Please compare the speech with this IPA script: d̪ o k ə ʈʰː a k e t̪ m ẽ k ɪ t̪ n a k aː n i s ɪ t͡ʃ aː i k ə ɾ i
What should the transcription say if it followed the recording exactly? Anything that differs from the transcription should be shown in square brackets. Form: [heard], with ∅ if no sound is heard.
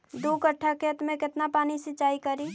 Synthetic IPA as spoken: d̪ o k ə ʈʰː a k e t̪ m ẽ k ɪ t̪ n a [p] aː n i s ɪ t͡ʃ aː i k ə ɾ i